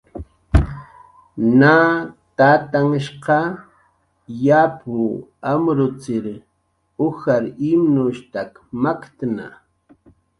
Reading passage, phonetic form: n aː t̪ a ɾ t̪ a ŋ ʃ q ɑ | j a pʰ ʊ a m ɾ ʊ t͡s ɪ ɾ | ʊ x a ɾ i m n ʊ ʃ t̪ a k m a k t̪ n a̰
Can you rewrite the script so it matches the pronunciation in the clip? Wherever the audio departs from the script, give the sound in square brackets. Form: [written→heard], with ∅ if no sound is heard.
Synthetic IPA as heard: n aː t̪ a [ɾ→∅] t̪ a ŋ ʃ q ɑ | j a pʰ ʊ a m ɾ ʊ t͡s ɪ ɾ | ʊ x a ɾ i m n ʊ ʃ t̪ a k m a k t̪ n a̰